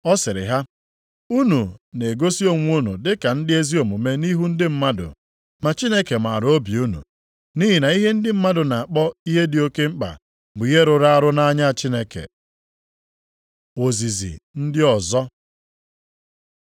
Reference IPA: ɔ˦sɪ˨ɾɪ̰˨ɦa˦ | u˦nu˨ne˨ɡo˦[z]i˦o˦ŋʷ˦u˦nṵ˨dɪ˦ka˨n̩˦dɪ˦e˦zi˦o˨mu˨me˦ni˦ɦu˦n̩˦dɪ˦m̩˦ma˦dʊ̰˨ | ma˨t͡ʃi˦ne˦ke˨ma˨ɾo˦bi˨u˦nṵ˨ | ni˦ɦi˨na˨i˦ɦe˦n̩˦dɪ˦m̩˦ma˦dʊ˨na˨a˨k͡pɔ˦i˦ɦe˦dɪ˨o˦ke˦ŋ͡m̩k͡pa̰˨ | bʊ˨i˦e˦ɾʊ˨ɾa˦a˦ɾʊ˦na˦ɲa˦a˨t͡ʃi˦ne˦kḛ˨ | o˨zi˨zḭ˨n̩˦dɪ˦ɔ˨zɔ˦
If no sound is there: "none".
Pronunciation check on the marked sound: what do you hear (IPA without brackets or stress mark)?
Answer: s